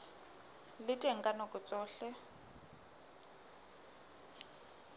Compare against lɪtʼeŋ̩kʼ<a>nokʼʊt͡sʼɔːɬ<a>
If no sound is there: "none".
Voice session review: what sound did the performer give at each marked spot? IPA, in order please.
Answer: a, ɛ

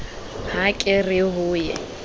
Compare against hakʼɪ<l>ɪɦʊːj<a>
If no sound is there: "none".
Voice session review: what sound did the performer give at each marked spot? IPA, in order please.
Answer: r, ɛ

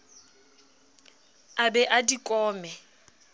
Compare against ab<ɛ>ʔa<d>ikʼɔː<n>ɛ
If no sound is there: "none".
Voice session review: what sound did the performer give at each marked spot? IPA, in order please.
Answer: ɛ, d, m

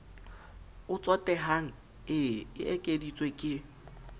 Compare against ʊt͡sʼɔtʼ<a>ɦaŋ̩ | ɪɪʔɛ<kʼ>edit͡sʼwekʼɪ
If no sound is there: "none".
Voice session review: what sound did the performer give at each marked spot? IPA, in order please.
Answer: ɛ, kʼ

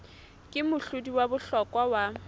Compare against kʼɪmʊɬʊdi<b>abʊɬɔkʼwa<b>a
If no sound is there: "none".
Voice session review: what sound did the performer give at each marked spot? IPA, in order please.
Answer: w, w

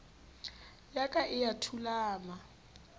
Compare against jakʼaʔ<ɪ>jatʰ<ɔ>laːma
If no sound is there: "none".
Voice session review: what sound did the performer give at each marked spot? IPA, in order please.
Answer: ɪ, u

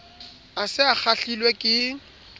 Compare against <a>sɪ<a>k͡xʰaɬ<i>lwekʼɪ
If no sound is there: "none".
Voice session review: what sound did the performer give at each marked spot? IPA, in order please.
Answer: a, a, i

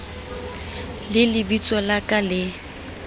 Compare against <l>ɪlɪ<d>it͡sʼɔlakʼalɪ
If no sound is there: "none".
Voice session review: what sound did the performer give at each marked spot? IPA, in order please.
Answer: l, b

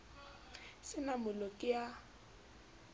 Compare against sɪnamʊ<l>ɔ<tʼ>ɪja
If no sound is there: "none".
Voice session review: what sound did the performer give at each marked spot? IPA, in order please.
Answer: l, kʼ

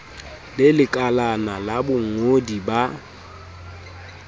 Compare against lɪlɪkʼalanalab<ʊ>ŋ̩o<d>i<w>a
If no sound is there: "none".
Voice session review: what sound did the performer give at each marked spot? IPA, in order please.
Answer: ʊ, d, b

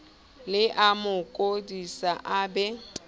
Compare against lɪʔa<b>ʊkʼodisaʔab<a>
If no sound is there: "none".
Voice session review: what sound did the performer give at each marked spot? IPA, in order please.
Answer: m, ɛ

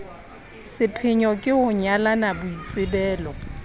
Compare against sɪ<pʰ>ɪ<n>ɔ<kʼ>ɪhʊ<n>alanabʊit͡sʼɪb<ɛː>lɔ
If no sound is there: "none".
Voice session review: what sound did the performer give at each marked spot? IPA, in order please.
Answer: pʰ, ɲ, kʼ, ɲ, ɛː

